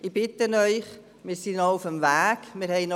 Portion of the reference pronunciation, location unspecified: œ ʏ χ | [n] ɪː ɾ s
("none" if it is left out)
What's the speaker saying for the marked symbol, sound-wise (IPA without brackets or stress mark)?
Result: m